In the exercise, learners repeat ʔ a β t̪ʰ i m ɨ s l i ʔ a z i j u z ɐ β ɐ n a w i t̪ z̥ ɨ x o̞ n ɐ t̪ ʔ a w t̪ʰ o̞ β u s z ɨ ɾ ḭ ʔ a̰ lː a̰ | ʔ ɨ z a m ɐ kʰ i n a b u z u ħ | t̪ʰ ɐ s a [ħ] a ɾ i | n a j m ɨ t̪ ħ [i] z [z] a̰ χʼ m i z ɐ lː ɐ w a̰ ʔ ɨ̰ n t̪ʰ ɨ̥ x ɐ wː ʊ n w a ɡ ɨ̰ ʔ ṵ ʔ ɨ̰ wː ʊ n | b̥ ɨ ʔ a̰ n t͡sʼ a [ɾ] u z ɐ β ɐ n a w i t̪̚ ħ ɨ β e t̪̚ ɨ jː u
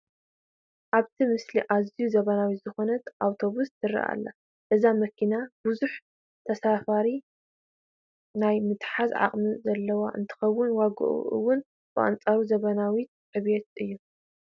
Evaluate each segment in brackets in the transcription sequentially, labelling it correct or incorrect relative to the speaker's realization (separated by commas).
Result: incorrect, incorrect, incorrect, correct